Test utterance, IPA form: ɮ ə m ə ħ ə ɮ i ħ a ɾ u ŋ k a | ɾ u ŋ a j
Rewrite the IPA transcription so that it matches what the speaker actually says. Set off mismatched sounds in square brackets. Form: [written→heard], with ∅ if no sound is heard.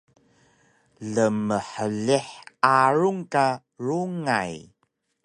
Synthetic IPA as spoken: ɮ ə m ə ħ ə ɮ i ħ a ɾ u ŋ k a | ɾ u ŋ a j